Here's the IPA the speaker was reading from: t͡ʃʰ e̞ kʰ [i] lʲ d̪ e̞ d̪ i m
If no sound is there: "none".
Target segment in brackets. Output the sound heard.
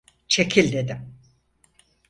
i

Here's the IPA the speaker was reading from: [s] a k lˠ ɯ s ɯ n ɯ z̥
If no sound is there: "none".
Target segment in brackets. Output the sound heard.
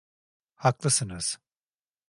h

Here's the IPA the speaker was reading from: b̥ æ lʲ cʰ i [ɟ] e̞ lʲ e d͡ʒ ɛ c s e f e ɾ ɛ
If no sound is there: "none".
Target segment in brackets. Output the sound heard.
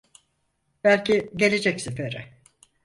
ɟ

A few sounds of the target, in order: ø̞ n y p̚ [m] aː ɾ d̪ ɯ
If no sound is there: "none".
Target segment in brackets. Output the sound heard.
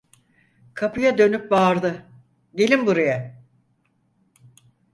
b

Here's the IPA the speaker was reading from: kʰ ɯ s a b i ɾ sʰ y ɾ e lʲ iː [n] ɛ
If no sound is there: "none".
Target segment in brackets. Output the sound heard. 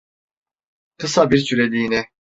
n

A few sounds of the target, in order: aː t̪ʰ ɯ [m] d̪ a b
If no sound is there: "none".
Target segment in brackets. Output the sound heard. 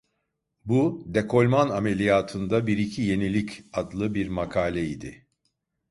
n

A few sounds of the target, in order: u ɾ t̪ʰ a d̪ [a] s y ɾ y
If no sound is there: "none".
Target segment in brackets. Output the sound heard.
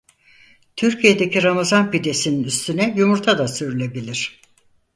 a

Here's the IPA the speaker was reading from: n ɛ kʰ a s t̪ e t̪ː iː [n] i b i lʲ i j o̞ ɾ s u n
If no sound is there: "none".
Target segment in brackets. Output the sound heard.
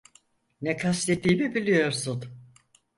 m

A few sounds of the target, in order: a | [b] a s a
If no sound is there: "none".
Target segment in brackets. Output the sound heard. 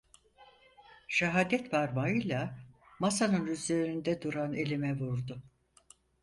m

